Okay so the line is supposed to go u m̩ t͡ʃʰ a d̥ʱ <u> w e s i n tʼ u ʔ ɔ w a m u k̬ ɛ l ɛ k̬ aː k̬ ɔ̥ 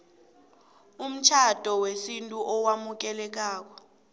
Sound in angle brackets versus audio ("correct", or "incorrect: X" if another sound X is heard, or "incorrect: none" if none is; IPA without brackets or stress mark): incorrect: ɔ